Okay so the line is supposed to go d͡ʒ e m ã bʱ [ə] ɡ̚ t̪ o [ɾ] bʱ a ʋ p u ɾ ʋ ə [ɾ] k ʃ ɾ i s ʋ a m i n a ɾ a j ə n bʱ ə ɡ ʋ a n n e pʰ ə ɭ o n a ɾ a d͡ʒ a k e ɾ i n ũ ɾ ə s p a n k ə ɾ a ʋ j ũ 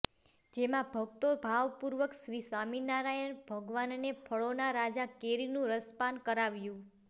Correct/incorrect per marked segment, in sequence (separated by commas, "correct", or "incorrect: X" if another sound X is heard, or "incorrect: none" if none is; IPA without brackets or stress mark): correct, incorrect: none, incorrect: none